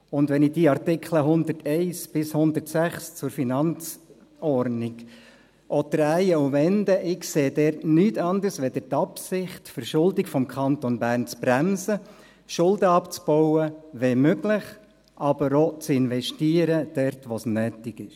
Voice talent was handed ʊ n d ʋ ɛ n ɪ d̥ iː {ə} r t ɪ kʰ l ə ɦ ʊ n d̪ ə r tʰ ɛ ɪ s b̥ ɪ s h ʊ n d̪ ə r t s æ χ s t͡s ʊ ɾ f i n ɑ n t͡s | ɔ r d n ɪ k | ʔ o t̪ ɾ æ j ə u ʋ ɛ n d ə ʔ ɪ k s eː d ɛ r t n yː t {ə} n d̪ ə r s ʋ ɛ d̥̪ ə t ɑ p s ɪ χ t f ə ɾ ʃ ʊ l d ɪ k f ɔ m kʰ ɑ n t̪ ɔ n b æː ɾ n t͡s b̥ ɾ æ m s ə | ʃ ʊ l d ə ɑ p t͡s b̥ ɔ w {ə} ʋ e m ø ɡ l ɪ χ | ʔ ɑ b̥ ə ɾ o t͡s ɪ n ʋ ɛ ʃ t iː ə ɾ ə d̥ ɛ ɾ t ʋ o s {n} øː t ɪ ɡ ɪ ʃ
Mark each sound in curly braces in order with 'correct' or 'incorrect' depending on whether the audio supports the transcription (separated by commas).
incorrect, incorrect, correct, correct